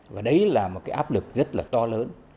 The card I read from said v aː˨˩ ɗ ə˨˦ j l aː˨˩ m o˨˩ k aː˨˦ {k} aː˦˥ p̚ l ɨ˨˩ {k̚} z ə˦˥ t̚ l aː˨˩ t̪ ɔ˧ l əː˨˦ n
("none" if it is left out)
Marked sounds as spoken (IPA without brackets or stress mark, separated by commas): ʔ, k̚